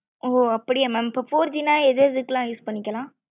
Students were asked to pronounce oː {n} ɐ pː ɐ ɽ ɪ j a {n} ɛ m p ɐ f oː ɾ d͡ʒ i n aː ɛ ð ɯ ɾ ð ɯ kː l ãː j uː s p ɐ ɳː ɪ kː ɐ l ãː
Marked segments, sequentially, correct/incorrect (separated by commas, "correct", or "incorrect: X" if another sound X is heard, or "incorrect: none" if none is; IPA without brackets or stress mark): incorrect: none, incorrect: m